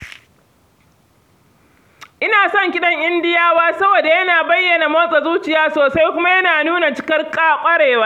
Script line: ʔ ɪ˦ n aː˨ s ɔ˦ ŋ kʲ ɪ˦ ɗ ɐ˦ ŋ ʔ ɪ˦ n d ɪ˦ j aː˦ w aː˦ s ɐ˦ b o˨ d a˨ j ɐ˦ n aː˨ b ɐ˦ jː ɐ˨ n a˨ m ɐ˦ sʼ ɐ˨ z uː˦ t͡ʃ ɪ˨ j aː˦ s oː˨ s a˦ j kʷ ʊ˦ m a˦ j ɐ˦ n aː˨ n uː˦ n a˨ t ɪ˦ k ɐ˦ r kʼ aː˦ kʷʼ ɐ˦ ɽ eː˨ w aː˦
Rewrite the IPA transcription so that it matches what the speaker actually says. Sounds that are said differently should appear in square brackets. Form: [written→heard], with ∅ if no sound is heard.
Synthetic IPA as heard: ʔ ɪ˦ n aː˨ s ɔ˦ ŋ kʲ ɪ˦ ɗ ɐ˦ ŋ ʔ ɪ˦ n d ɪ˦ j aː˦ w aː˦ s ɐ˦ b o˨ d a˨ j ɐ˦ n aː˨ b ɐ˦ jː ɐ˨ n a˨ m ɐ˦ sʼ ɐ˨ z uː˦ t͡ʃ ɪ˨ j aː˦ s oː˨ s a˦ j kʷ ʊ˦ m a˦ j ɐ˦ n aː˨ n uː˦ n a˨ [t→t͡ʃ] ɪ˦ k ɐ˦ r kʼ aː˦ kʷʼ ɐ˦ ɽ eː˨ w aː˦